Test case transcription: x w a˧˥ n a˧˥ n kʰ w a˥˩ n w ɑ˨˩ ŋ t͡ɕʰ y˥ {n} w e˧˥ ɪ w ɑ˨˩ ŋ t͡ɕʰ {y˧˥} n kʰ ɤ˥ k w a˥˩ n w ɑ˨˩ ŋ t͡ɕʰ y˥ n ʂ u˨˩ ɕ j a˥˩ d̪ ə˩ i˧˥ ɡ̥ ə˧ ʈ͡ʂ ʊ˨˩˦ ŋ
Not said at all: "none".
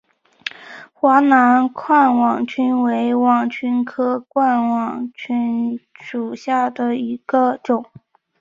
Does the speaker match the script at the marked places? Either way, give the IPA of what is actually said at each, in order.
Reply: n, y˥

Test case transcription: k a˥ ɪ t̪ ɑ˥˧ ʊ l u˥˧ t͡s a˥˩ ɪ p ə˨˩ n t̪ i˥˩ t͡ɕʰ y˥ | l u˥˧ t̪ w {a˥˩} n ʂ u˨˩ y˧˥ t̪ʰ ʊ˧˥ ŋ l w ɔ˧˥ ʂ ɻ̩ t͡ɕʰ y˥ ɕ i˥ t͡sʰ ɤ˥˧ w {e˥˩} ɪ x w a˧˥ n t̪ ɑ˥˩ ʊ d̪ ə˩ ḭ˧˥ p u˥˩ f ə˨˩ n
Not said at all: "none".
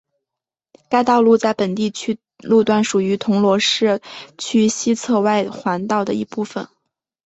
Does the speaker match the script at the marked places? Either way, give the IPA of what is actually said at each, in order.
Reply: a˥˩, a˥˩

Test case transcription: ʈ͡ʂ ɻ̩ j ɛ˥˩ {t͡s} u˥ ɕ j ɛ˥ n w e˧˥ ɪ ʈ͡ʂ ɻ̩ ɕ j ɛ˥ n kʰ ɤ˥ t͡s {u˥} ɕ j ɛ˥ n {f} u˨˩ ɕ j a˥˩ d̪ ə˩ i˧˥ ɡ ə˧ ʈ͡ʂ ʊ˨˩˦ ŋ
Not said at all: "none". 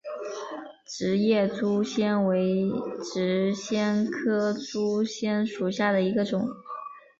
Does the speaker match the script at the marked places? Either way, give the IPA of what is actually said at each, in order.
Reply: t͡s, u˥, ʂ

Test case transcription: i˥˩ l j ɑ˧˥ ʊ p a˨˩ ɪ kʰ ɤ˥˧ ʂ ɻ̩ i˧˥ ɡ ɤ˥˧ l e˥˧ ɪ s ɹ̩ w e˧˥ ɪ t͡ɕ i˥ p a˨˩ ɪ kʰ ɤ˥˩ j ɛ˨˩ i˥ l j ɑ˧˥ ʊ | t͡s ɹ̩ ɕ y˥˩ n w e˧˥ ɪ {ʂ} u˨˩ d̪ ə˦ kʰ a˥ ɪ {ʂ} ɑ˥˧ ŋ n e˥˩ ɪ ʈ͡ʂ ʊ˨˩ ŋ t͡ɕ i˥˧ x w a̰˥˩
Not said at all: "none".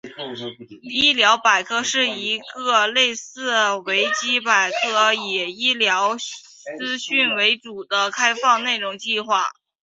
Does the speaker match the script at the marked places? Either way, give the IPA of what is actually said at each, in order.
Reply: ʈ͡ʂ, f

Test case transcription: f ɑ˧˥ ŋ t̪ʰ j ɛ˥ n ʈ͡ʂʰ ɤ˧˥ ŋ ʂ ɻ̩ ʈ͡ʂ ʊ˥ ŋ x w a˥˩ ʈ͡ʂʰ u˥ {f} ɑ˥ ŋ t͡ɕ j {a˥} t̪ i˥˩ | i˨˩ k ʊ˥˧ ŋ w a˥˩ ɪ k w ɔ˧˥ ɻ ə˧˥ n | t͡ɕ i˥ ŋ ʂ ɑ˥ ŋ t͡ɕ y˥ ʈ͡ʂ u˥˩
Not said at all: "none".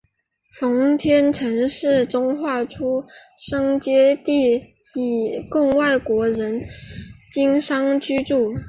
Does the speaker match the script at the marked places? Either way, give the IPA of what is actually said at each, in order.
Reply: ʂ, ɛ˥

